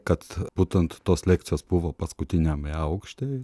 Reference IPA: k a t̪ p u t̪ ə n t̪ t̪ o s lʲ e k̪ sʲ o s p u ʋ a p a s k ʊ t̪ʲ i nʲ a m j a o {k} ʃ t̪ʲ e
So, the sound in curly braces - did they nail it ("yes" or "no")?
yes